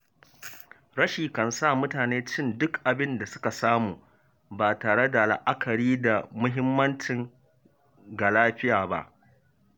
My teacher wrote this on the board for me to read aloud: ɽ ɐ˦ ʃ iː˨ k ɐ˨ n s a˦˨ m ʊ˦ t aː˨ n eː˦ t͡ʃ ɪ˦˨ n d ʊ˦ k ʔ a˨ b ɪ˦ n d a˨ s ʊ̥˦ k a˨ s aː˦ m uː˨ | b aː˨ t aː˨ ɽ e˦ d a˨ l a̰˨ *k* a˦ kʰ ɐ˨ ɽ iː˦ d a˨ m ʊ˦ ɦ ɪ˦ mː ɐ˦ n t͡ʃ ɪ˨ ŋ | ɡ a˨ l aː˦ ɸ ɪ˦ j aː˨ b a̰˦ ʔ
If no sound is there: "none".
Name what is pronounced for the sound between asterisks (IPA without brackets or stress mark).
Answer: ʔ